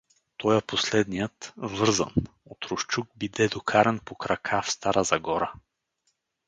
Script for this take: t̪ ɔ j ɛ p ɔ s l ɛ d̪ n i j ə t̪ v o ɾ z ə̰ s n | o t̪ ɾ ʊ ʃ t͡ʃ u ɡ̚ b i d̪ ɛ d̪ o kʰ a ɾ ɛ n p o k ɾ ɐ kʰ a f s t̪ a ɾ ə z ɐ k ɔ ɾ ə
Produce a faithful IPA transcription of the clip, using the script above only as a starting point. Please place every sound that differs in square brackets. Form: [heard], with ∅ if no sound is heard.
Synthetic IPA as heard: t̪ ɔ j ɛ p [o] s l ɛ d̪ n i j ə t̪ v [ɤ] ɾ z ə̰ [∅] n | o t̪ ɾ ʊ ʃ t͡ʃ u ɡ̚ b i d̪ ɛ d̪ o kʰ a ɾ ɛ n p o k ɾ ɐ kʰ a f s t̪ a ɾ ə z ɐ [ɡ] ɔ ɾ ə